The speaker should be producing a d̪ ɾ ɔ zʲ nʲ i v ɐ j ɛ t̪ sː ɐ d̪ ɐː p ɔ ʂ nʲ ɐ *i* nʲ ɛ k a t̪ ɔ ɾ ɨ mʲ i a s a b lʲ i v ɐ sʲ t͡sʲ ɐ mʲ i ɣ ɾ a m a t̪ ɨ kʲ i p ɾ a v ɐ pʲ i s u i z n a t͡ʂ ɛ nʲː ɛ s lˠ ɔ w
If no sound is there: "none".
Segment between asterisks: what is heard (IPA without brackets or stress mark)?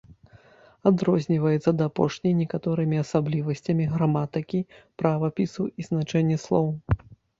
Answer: j